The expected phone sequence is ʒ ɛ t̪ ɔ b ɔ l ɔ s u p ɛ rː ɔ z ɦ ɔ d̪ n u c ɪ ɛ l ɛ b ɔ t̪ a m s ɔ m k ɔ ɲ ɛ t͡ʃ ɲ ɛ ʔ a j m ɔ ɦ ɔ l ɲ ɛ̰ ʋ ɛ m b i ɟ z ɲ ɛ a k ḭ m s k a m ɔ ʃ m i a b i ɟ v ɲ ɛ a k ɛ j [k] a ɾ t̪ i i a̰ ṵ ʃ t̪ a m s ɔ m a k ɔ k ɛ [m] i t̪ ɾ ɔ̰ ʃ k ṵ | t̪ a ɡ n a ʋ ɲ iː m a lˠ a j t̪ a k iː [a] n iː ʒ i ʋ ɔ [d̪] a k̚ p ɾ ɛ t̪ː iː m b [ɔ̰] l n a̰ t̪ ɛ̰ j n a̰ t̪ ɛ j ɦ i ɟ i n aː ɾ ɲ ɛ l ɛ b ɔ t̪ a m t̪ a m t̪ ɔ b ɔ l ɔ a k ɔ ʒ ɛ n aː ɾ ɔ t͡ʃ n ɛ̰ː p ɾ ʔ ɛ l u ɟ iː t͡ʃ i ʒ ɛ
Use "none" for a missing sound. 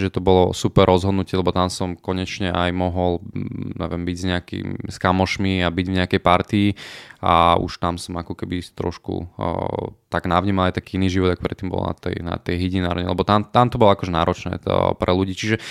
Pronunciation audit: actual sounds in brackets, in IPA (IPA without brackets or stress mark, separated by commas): p, b, i, d̪, ɔ̰